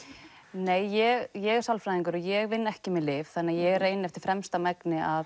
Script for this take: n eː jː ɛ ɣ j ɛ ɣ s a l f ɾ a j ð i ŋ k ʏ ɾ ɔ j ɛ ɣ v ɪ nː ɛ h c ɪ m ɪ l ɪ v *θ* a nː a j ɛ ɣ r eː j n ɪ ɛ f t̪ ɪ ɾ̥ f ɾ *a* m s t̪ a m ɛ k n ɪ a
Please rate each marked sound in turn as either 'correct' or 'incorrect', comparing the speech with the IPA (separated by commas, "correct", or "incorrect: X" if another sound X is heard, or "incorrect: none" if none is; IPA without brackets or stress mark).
correct, incorrect: ɛ